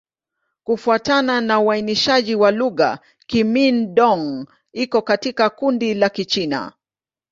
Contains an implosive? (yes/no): yes